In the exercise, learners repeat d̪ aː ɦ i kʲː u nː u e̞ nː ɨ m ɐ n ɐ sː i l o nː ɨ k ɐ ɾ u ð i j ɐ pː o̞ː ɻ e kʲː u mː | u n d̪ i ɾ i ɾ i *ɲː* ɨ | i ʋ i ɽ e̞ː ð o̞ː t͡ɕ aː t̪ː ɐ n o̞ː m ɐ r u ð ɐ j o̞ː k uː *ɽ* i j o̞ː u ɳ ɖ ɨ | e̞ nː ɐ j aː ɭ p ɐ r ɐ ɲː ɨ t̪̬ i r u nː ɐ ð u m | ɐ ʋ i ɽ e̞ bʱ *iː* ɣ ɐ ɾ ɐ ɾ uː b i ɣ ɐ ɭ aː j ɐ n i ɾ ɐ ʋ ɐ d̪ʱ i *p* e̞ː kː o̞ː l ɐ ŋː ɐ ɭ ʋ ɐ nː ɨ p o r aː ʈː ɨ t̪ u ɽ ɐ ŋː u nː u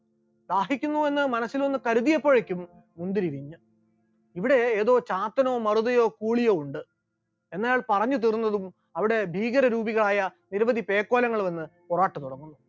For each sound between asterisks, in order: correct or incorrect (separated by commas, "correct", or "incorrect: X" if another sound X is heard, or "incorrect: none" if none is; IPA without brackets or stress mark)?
correct, incorrect: ɭ, correct, correct